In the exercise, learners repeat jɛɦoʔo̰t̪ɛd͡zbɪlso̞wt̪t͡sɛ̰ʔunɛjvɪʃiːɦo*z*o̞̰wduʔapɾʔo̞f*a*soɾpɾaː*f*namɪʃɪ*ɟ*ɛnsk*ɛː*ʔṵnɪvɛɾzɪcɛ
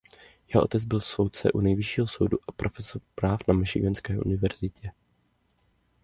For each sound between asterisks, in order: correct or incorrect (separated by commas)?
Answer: incorrect, incorrect, correct, incorrect, correct